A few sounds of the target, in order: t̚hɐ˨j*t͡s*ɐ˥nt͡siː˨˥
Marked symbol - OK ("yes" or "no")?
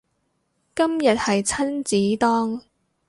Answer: no